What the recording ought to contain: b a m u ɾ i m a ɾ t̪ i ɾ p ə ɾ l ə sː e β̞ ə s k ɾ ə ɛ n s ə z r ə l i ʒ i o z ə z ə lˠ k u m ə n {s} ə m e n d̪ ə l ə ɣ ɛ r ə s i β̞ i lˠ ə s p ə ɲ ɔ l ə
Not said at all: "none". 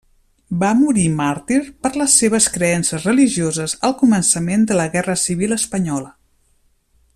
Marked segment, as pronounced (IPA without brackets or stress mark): s